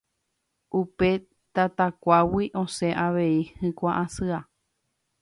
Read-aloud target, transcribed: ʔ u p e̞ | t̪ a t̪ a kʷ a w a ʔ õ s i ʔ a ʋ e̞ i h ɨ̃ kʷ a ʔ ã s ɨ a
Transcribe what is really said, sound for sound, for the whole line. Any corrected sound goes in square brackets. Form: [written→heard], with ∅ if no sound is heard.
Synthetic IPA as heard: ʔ u p e̞ | t̪ a t̪ a kʷ a w [a→i] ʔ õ s [i→e] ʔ a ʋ e̞ i h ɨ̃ kʷ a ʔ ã s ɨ a